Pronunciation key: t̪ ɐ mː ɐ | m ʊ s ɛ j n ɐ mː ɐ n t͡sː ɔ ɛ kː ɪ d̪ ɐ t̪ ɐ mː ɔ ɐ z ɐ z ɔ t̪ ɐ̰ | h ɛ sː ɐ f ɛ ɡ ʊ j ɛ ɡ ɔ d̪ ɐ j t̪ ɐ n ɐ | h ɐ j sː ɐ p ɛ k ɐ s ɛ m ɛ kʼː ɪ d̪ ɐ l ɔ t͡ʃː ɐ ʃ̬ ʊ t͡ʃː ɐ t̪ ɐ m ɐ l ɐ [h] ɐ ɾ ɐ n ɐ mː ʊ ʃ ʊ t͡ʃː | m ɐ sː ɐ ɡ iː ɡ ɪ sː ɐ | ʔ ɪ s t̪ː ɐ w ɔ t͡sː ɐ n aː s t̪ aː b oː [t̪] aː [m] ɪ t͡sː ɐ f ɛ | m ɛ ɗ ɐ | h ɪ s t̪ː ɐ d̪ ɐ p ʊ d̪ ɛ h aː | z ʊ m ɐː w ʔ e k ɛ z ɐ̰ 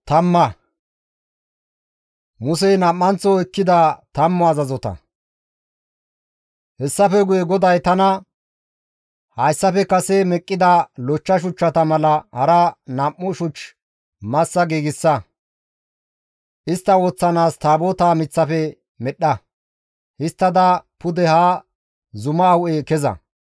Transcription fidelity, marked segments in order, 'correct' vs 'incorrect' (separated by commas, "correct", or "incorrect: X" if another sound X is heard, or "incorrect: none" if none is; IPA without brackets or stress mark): correct, correct, correct